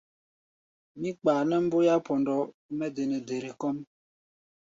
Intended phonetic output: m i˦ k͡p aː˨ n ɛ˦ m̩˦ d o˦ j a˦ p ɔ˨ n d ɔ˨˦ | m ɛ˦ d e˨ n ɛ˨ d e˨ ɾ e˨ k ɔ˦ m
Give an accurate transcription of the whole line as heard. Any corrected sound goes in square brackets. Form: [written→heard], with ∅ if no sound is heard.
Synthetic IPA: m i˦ k͡p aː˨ n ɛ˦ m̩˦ [d→b] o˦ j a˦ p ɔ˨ n d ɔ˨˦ | m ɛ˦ d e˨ n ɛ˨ d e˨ ɾ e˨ k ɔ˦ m

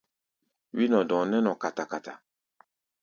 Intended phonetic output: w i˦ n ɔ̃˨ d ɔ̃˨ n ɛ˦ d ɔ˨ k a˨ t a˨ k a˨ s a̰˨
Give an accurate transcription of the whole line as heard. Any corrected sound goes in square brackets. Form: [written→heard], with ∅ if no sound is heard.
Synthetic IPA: w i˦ n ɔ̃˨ d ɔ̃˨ n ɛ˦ [d→n] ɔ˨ k a˨ t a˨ k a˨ [s→t] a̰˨

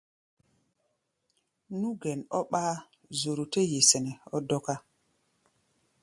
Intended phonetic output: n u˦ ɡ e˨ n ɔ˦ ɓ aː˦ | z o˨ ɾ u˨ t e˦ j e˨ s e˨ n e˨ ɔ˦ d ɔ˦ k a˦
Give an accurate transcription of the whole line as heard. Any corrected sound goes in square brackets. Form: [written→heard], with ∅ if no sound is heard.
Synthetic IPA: n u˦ ɡ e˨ n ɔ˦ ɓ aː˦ | z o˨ ɾ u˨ t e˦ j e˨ s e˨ n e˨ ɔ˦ d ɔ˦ k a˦

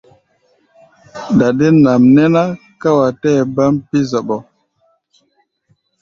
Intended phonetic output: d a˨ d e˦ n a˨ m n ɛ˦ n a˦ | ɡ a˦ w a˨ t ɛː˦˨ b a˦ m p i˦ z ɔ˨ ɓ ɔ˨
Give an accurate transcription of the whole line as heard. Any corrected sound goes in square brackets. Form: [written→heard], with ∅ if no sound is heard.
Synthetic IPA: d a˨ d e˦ n a˨ m n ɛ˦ n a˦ | [ɡ→k] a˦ w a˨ t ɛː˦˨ b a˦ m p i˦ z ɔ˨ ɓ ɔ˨

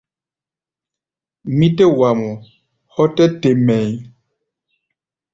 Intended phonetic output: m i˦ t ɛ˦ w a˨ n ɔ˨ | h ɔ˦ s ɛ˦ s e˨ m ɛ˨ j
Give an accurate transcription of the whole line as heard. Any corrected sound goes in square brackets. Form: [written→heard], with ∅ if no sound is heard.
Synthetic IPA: m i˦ t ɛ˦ w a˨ [n→m] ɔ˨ | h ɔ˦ [s→t] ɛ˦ [s→t] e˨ m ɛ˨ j

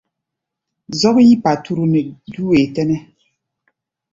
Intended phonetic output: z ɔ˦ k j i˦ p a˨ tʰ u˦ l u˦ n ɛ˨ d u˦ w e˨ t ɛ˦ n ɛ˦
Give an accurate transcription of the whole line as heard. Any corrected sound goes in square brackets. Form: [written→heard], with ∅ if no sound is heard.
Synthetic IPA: z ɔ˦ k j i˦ p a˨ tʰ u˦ [l→ɾ] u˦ n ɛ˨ d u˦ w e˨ t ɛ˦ n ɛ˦

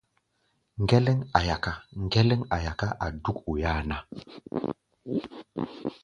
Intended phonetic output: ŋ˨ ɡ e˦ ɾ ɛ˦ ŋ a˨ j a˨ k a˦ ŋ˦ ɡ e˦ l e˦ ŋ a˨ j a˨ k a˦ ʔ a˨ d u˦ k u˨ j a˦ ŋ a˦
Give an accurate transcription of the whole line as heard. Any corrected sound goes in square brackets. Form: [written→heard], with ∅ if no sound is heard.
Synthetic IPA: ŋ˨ ɡ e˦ [ɾ→l] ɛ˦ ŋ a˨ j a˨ k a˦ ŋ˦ ɡ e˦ l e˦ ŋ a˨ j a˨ k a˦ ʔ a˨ d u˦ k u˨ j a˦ [ŋ→n] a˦

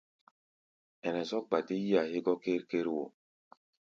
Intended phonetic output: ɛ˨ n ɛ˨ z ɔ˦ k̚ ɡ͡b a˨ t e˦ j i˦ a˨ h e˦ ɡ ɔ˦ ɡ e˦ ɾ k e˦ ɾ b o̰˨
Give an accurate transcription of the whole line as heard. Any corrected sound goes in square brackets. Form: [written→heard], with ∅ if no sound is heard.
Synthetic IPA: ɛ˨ n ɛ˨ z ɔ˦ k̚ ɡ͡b a˨ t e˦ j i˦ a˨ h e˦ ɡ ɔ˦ [ɡ→k] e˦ ɾ k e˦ ɾ [b→w] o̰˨

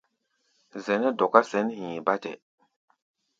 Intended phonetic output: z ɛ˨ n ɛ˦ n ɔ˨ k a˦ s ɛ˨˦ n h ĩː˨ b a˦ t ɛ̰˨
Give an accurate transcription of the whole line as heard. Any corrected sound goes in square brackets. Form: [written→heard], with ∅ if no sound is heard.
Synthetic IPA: z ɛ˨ n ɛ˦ [n→d] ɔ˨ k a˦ s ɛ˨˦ n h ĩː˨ b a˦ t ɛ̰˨

